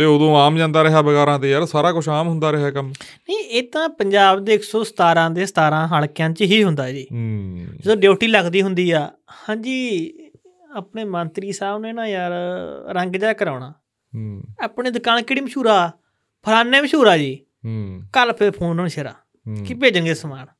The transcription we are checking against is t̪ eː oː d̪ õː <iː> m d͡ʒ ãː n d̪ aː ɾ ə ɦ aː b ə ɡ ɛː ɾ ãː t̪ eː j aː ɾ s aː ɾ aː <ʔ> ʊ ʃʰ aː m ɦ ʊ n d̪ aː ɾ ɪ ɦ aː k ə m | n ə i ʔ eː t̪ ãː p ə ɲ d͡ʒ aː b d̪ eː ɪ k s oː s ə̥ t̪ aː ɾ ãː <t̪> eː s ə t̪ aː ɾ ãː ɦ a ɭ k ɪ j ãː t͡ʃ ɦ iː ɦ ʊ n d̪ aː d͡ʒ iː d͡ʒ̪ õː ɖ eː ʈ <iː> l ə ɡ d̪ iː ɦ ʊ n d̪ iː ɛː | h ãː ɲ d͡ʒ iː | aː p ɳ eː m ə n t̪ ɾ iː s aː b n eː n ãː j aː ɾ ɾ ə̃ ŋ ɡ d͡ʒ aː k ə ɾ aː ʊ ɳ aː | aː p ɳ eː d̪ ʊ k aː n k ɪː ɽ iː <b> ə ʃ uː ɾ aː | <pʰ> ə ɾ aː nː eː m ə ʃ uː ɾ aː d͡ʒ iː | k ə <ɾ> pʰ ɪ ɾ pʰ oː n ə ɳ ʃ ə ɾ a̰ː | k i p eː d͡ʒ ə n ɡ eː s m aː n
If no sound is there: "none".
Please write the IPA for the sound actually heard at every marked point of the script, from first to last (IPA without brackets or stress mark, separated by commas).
aː, k, d̪, iː, m, pʰ, l